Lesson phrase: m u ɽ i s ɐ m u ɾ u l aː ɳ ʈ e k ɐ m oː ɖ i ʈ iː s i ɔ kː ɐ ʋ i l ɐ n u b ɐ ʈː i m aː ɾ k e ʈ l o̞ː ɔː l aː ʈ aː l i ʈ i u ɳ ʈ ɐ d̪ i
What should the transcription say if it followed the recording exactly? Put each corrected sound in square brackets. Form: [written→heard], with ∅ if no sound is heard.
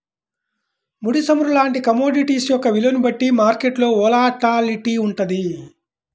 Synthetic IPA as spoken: m u ɽ i s ɐ m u ɾ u l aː ɳ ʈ [e→i] k ɐ m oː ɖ i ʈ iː s [i→j] ɔ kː ɐ ʋ i l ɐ n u b ɐ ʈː i m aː ɾ k e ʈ l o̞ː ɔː l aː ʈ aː l i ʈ i u ɳ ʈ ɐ d̪ i